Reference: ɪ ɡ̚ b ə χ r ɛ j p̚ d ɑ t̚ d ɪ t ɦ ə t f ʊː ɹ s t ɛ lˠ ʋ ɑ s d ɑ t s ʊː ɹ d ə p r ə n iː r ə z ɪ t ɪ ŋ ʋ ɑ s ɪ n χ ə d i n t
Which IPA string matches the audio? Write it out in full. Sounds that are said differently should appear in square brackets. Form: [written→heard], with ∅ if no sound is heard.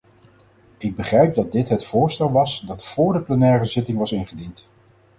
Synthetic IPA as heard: ɪ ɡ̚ b ə χ r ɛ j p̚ d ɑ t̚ d ɪ t ɦ ə t f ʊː ɹ s t ɛ lˠ ʋ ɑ s d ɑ t [s→f] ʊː ɹ d ə p [r→l] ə n [iː→ɛː] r ə z ɪ t ɪ ŋ ʋ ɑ s ɪ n χ ə d i n t